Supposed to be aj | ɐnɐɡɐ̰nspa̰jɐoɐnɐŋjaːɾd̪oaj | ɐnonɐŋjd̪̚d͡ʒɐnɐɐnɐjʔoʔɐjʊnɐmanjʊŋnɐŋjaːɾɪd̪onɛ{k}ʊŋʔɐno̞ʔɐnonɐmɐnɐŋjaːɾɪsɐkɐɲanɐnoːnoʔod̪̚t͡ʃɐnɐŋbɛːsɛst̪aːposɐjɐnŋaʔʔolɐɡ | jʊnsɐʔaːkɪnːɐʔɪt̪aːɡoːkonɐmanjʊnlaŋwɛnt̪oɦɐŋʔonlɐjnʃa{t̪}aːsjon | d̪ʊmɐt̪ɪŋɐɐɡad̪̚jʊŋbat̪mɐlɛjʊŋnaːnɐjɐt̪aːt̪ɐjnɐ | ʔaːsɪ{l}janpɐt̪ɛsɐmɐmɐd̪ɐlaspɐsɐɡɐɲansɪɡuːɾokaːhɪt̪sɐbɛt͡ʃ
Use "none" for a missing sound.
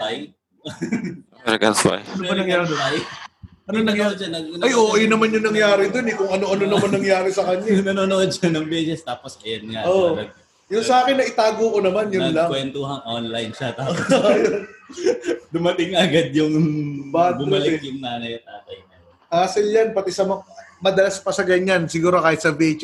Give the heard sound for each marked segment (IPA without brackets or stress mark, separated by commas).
k, t̪, l